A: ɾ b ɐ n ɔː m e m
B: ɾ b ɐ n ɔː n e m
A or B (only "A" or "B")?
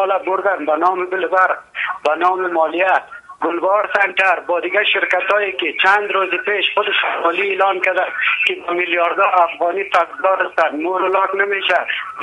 A